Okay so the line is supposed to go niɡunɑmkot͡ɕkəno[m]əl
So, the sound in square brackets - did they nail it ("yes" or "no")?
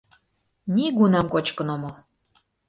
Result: yes